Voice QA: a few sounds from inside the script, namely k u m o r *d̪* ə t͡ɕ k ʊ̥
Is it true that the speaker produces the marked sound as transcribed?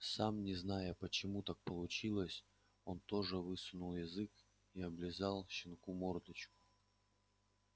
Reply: yes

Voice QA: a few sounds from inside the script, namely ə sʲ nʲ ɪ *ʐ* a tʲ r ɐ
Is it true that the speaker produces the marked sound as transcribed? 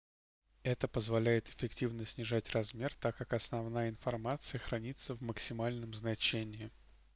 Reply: yes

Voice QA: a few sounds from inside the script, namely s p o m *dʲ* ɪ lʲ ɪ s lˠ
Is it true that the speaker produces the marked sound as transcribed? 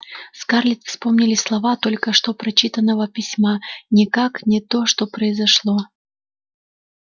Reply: no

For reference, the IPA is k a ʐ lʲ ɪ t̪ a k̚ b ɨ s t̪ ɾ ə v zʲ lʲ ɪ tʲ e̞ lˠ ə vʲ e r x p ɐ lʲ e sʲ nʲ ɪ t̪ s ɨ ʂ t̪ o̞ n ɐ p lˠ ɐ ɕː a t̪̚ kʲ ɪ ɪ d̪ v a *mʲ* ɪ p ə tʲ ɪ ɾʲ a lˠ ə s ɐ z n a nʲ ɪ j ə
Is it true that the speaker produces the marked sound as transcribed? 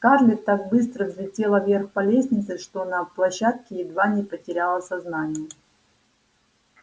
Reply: no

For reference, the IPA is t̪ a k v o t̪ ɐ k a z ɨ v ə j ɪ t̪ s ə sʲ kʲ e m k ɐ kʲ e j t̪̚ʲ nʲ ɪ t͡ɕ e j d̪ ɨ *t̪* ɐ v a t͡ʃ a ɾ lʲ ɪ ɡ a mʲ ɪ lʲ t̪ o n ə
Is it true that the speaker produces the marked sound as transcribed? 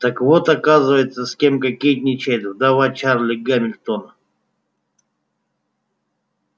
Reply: no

